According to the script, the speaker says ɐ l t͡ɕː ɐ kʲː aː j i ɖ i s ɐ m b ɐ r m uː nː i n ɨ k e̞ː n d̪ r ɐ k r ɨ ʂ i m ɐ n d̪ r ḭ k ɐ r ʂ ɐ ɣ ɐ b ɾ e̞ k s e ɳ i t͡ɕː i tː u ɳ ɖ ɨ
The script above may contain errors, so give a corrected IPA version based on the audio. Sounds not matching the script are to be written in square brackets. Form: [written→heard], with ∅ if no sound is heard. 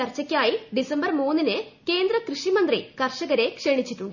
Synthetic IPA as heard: ɐ [l→r] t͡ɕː ɐ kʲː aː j i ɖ i s ɐ m b ɐ r m uː nː i n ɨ k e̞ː n d̪ r ɐ k r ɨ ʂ i m ɐ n d̪ r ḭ k ɐ r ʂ ɐ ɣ ɐ [b→∅] ɾ e̞ k [s→ʂ] e ɳ i t͡ɕː i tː u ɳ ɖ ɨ